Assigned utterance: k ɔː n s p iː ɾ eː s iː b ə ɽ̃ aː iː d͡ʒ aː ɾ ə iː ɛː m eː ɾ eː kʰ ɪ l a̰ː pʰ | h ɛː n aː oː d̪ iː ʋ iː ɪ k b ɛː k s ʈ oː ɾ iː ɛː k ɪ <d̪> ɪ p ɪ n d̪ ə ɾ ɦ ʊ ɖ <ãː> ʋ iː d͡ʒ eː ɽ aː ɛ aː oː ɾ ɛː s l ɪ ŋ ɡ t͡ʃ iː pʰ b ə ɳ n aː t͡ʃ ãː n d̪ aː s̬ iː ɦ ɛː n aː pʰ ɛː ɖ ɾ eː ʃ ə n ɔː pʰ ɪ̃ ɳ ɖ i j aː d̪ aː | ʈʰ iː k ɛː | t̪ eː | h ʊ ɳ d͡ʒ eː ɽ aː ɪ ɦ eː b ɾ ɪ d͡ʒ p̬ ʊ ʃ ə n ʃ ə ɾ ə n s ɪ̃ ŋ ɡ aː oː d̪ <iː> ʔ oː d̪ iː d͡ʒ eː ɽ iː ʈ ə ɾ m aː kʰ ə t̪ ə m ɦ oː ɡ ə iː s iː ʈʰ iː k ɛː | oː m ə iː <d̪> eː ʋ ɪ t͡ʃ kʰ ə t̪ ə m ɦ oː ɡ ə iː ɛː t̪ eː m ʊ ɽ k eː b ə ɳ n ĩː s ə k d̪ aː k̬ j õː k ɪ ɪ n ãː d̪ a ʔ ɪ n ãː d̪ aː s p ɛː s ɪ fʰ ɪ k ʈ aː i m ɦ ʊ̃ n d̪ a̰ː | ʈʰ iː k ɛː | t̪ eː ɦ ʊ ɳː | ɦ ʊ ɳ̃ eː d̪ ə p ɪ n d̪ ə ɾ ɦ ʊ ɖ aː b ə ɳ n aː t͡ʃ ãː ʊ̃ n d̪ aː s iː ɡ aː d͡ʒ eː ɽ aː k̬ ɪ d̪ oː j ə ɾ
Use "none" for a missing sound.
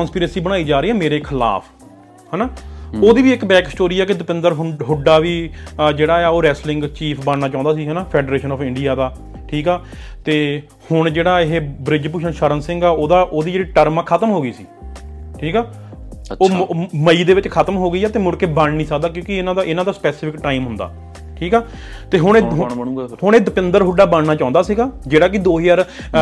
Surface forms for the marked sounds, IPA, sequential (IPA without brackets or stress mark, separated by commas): d̪, aː, aː, d̪